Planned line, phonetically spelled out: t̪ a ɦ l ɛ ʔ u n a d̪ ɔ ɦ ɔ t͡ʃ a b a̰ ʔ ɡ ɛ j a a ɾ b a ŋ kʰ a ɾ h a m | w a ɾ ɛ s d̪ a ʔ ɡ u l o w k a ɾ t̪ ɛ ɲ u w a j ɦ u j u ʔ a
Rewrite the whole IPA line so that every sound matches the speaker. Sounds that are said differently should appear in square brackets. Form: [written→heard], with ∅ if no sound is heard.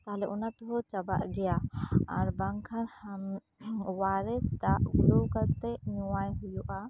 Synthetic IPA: t̪ a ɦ l ɛ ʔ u n a [d̪→t̪] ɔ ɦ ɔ t͡ʃ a b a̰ ʔ ɡ ɛ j a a ɾ b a ŋ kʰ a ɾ h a m | w a ɾ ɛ s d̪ a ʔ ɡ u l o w k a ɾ t̪ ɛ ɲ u w a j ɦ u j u ʔ a

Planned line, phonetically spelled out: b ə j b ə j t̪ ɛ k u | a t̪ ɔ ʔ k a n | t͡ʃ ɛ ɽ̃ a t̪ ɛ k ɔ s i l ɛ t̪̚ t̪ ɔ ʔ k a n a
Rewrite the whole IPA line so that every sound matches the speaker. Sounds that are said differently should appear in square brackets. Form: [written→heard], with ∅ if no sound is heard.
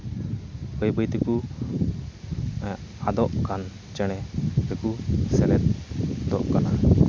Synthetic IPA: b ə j b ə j t̪ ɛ k u | a [t̪→d̪] ɔ ʔ k a n | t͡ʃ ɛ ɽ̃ [a→ɛ] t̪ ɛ k [ɔ→u] s [i→ɛ] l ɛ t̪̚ [t̪→d̪] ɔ ʔ k a n a

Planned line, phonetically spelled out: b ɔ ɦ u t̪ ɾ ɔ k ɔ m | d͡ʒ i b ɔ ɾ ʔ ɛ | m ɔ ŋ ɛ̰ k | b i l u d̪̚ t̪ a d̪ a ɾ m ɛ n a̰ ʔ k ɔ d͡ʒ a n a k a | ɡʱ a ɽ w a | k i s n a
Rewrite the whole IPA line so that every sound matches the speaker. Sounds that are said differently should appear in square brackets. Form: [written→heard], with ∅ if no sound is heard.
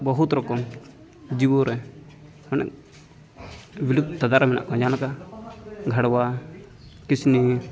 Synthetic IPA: b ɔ ɦ u t̪ ɾ ɔ k ɔ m | d͡ʒ i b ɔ ɾ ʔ ɛ | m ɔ [ŋ→n] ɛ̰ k | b i l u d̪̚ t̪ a d̪ a ɾ m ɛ n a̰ ʔ k ɔ d͡ʒ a n a k a | ɡʱ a ɽ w a | k i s n [a→i]

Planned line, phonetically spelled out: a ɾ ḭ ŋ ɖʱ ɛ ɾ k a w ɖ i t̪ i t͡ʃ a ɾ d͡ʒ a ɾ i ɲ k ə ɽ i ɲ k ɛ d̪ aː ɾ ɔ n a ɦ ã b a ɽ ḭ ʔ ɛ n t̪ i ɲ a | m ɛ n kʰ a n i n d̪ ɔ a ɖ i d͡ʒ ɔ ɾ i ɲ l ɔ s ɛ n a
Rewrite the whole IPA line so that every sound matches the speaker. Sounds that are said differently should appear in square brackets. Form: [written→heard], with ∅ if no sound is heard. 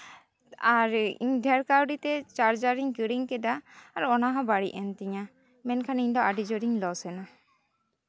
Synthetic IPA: a ɾ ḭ [ŋ→ɲ] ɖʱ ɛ ɾ k a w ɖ i t̪ [i→ɛ] t͡ʃ a ɾ d͡ʒ a ɾ i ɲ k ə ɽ i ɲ k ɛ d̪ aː ɾ ɔ n a ɦ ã b a ɽ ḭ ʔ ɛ n t̪ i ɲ a | m ɛ n kʰ a n i [n→ɲ] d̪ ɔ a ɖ i d͡ʒ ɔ ɾ i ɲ l ɔ s ɛ n a

